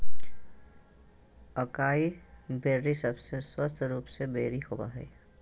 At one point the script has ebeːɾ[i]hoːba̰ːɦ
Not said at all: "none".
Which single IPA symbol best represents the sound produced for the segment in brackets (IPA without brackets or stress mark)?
i